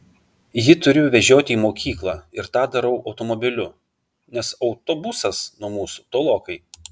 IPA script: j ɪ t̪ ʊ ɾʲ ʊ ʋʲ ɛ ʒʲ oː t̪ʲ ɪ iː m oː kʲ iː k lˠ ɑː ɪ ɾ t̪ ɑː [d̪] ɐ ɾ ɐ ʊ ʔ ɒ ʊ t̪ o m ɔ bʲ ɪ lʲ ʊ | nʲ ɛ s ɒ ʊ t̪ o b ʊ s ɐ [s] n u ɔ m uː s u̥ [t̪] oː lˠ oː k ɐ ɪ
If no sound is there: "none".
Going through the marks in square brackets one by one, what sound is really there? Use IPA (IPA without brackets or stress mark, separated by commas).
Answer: d̪, s, t̪